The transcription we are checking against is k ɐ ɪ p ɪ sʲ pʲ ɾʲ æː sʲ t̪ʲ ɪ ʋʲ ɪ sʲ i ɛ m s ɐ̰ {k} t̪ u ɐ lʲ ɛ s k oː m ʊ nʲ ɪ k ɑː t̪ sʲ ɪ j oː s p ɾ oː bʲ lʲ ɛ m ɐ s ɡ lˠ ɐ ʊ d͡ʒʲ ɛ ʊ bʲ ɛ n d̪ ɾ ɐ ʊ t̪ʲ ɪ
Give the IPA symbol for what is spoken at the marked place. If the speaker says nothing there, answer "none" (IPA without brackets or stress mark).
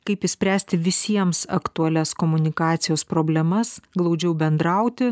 k